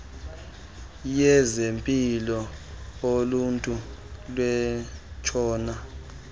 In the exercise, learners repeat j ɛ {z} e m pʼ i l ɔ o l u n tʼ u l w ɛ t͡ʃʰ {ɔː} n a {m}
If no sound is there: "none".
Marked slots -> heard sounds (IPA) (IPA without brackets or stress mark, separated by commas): z, ɔː, none